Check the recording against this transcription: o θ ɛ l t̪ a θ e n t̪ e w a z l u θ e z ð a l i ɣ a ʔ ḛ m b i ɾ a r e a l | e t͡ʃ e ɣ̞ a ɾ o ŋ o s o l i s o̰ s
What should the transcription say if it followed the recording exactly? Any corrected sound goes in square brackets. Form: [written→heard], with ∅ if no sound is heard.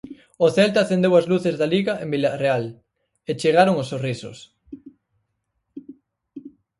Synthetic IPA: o θ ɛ l t̪ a θ e n [t̪→d̪] e w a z l u θ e z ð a l i ɣ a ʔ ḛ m b i [ɾ→l] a r e a l | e t͡ʃ e ɣ̞ a ɾ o ŋ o s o [l→r] i s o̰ s